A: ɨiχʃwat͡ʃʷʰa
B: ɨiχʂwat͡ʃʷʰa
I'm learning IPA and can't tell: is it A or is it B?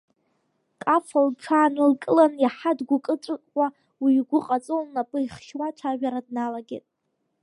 A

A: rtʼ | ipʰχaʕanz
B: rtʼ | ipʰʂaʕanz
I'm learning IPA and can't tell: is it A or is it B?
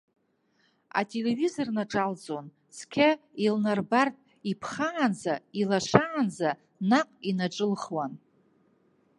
A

